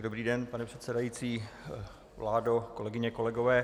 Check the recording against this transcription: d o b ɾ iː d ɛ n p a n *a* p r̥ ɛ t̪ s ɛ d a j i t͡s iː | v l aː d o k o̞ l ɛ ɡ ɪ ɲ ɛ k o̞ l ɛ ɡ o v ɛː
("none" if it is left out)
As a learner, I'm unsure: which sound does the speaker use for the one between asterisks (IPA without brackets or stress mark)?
ɛ